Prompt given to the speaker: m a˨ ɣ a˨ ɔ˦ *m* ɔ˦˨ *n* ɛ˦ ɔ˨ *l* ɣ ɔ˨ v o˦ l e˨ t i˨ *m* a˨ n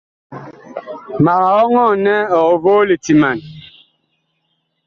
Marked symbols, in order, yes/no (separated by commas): no, yes, no, yes